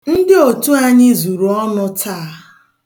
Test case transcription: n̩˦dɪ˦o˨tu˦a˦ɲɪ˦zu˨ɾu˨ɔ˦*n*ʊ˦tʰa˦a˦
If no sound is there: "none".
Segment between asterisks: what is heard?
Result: n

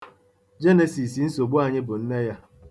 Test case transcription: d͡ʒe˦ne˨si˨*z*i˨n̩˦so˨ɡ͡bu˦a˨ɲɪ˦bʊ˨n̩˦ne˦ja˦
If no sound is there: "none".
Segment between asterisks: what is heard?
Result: s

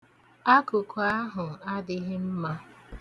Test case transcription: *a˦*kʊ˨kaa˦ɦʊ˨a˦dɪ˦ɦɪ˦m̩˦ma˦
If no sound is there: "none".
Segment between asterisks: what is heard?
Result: a˦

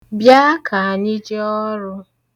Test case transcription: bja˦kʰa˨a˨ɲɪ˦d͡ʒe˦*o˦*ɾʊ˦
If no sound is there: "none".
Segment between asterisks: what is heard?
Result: ɔ˦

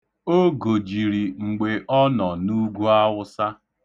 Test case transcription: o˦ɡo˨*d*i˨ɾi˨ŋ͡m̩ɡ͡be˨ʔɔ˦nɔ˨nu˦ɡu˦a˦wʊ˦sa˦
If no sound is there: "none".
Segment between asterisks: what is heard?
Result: d͡ʒ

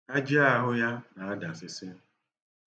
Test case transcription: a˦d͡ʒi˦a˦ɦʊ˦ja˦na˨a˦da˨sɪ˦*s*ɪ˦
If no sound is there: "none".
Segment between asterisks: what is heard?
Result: s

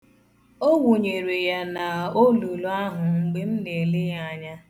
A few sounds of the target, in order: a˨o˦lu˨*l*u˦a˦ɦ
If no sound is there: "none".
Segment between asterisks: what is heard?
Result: l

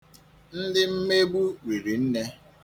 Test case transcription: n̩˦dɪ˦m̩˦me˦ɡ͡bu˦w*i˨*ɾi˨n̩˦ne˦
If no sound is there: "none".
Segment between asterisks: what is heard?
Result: i˨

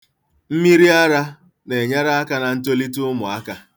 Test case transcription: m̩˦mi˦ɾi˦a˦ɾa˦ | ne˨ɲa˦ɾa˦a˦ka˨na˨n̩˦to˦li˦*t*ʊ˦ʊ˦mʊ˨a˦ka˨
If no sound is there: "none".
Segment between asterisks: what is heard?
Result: t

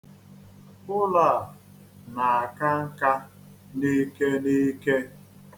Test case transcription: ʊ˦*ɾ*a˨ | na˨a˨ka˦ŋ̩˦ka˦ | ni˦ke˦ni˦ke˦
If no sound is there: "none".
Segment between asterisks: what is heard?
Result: l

